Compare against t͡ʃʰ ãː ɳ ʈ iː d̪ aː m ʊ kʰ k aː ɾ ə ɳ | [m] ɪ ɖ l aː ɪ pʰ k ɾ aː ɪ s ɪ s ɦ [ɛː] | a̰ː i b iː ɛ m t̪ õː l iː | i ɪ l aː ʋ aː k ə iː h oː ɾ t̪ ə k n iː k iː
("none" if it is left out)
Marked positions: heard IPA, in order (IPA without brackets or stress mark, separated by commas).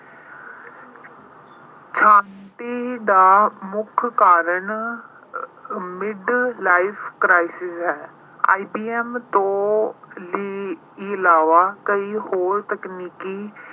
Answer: m, ɛː